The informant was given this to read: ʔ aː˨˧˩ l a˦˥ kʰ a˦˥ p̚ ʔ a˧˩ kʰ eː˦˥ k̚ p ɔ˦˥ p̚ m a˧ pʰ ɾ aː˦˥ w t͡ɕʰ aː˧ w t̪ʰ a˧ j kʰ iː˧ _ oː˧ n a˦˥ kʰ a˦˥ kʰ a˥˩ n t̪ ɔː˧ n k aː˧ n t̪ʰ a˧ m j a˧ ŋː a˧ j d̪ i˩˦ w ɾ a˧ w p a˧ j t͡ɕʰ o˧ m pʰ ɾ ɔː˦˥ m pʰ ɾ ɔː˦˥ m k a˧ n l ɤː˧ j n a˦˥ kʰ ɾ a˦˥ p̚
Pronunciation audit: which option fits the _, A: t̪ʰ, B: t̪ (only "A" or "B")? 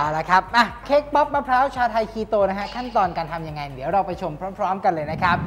B